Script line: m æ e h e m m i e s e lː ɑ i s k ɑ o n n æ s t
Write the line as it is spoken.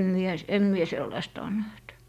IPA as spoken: m i e s e m m i e s e lː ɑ i s t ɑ o n n æ h t